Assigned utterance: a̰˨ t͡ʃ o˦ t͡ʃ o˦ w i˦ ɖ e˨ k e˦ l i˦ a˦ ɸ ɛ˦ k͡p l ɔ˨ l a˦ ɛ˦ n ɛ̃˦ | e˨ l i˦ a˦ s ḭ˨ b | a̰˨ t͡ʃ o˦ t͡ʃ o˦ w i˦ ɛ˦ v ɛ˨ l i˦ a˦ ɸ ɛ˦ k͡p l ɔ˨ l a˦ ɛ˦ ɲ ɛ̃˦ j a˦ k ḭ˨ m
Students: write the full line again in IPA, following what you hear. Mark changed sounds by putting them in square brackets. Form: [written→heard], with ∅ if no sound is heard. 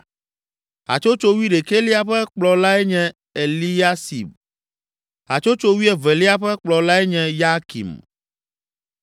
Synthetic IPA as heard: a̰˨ t͡ʃ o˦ t͡ʃ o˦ w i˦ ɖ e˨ k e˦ l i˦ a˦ ɸ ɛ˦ k͡p l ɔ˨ l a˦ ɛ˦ [n→ɲ] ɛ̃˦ | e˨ l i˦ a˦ s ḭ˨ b | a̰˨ t͡ʃ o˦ t͡ʃ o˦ w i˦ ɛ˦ v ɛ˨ l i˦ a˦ ɸ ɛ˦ k͡p l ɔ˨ l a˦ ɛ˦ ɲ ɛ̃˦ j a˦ k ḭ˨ m